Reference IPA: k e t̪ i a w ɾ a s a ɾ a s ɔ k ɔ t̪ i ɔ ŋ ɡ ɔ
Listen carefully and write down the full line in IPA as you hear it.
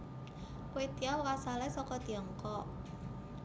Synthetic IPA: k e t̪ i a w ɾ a s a l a s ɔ k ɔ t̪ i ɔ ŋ k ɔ